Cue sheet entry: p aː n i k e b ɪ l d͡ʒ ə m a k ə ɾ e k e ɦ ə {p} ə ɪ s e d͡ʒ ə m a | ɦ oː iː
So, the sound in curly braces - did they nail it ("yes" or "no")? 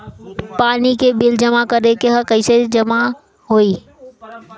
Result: no